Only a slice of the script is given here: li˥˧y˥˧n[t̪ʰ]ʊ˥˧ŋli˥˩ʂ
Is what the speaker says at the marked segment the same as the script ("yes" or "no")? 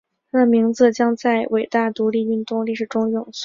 no